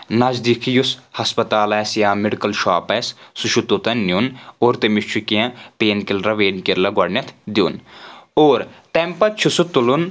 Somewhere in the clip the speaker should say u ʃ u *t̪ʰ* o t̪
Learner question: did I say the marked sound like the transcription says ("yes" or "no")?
no